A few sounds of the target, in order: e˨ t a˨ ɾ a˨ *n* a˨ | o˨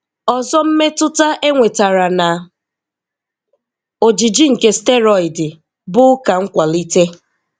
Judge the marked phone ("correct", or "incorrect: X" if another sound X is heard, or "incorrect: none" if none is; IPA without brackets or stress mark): correct